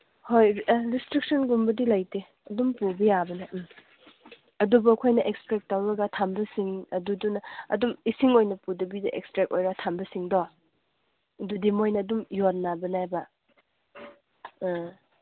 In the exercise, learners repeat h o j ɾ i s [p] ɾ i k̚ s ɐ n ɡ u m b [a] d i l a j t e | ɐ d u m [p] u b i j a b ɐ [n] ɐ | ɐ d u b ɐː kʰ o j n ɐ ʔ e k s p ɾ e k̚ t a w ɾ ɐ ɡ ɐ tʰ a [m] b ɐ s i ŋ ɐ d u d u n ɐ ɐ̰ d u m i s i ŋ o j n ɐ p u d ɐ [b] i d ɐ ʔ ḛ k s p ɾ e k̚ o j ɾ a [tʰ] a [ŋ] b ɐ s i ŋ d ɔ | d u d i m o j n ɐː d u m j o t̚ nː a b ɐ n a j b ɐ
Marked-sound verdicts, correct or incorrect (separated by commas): incorrect, incorrect, correct, correct, correct, correct, correct, incorrect